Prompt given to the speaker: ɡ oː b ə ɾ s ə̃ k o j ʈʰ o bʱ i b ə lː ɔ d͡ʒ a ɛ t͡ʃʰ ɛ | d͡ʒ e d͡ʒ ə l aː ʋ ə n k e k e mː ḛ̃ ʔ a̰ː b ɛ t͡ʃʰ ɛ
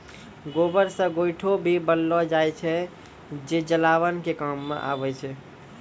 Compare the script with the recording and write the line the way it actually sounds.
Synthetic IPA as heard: ɡ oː b ə ɾ s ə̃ ɡ o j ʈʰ o bʱ i b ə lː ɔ d͡ʒ a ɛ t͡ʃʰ ɛ | d͡ʒ e d͡ʒ ə l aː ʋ ə n k e k a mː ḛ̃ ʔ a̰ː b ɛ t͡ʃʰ ɛ